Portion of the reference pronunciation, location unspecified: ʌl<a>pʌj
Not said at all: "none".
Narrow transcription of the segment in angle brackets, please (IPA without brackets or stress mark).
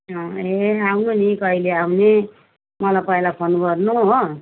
a